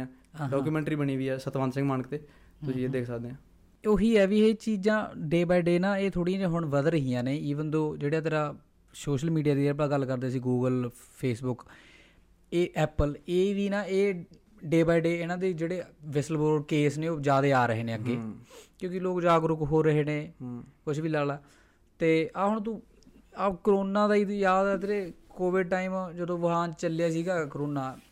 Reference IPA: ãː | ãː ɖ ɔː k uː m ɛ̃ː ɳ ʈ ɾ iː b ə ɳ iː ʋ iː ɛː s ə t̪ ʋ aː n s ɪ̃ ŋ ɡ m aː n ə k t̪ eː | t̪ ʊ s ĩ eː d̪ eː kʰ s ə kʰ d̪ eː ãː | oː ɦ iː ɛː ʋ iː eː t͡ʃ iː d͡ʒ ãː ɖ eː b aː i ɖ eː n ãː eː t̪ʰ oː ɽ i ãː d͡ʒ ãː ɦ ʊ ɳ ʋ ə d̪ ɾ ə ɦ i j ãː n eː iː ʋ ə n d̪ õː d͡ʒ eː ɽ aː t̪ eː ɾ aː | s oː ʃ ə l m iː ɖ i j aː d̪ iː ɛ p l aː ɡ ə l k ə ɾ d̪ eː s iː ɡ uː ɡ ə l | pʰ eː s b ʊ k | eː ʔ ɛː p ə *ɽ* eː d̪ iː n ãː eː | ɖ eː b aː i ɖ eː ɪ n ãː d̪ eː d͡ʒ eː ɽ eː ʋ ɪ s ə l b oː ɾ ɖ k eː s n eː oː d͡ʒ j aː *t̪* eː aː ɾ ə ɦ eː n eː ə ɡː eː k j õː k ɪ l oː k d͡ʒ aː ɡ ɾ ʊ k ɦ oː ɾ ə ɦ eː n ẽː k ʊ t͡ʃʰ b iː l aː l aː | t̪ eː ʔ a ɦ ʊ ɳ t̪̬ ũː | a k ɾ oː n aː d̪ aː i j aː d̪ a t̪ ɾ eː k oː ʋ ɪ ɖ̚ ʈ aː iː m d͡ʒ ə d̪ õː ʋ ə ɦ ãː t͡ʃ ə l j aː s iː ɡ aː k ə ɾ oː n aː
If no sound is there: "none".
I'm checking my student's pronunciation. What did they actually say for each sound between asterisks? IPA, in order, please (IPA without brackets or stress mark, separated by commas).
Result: l, d̪